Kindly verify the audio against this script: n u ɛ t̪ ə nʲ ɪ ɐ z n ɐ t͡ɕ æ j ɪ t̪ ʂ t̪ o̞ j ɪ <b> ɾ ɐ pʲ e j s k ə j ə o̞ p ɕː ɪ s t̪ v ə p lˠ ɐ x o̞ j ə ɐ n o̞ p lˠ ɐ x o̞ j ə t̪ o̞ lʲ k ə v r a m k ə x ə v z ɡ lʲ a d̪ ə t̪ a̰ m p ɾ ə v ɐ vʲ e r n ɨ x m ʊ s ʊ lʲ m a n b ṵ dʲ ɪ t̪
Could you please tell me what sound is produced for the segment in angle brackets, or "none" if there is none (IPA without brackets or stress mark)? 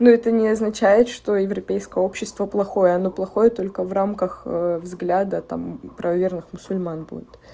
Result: v